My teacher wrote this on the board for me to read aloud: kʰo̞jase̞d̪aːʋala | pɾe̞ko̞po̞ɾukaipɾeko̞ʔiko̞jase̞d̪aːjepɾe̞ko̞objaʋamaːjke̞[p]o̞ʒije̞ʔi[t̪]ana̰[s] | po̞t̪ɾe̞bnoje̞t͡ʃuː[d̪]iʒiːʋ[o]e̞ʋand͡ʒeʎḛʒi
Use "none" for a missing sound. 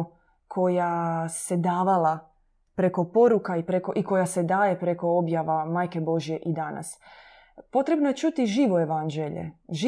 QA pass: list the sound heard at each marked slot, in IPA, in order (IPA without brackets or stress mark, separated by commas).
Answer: b, d̪, s, t̪, o